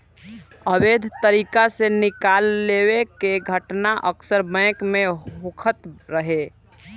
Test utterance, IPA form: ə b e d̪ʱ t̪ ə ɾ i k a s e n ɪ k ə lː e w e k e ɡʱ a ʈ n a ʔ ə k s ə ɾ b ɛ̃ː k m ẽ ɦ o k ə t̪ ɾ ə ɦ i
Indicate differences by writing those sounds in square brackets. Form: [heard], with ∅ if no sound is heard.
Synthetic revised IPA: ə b e d̪ʱ t̪ ə ɾ i k a s e n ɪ k [a] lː e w e k e ɡʱ [ə] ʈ n a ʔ ə k s ə ɾ b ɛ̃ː k m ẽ ɦ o [kʰ] ə t̪ ɾ ə ɦ [e]